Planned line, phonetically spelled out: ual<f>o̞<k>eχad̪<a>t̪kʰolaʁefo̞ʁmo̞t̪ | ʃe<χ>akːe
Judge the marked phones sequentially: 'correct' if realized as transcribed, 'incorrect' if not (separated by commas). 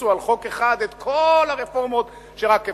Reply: incorrect, correct, incorrect, incorrect